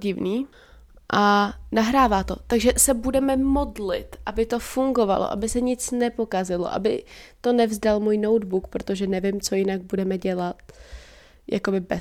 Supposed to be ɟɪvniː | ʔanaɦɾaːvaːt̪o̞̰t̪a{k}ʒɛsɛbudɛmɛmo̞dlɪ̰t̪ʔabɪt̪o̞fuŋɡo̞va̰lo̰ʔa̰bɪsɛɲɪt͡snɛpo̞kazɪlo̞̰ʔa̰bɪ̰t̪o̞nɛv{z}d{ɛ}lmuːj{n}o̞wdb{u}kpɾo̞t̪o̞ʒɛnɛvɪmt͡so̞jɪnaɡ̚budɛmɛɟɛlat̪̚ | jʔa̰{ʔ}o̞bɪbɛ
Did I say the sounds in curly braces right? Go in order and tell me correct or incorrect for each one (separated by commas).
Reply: incorrect, correct, incorrect, correct, correct, incorrect